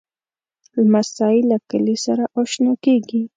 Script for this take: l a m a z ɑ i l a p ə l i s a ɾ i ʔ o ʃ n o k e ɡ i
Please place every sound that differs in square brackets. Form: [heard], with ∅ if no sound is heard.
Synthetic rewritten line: l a m a [s] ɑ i l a [k] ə l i s a ɾ [a] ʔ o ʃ n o k e ɡ i